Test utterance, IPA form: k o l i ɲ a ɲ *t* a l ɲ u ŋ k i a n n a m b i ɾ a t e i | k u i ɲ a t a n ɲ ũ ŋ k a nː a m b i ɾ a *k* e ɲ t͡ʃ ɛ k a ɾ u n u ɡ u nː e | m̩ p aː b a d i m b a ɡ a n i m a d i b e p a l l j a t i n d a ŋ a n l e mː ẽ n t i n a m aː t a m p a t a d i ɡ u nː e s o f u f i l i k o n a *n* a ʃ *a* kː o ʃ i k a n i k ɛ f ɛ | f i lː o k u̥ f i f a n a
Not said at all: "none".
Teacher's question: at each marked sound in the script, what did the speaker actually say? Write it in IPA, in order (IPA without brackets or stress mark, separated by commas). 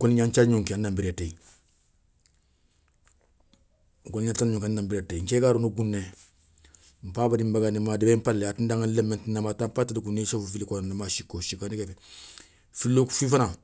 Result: t͡ʃ, t, m, i